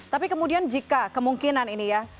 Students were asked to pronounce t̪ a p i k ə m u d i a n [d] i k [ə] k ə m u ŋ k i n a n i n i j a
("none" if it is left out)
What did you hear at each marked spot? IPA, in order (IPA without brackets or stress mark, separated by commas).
d͡ʒ, a